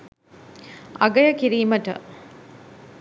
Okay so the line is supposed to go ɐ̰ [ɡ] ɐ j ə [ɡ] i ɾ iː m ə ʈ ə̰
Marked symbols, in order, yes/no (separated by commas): yes, no